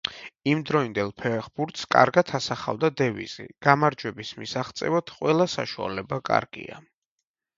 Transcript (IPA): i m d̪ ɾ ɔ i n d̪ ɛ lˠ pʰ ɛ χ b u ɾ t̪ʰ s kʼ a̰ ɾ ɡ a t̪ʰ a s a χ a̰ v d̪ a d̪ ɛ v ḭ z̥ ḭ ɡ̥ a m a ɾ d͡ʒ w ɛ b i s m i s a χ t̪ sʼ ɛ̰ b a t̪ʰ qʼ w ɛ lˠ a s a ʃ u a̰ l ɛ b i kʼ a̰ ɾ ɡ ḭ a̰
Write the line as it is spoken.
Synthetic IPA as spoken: i m d̪ ɾ ɔ i n d̪ ɛ lˠ pʰ ɛ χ b u ɾ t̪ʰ s kʼ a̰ ɾ ɡ a t̪ʰ a s a χ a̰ v d̪ a d̪ ɛ v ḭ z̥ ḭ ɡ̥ a m a ɾ d͡ʒ w ɛ b i s m i s a χ t̪ sʼ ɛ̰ v a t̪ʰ qʼ w ɛ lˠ a s a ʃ u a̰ l ɛ b a kʼ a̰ ɾ ɡ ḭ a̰